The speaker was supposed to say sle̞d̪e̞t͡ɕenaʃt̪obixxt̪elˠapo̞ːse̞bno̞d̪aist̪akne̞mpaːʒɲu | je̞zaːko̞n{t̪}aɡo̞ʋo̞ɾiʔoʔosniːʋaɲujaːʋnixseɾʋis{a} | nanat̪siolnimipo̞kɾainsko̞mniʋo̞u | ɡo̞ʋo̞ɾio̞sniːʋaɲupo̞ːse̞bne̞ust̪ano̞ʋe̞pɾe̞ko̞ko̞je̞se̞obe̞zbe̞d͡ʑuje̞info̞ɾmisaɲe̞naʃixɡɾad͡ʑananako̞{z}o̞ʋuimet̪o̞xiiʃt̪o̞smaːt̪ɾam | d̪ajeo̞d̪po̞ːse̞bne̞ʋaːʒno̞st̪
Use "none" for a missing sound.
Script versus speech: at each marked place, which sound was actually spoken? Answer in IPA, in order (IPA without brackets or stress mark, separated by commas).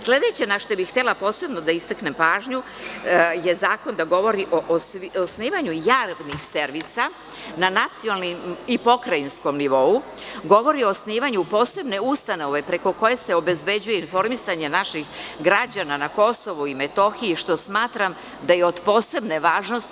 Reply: d̪, a, s